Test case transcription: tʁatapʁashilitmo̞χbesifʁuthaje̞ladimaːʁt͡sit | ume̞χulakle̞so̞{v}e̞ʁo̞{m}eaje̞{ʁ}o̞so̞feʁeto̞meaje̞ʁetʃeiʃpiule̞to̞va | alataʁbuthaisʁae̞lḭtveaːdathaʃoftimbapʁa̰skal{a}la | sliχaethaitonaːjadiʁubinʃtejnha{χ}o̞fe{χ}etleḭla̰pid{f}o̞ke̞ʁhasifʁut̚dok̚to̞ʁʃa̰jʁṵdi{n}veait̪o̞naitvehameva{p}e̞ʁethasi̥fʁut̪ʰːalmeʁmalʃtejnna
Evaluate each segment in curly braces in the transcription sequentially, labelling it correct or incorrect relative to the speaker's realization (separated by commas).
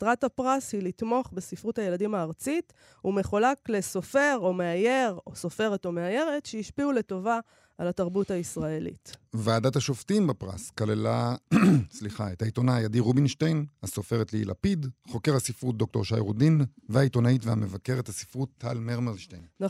incorrect, correct, correct, incorrect, incorrect, incorrect, incorrect, correct, incorrect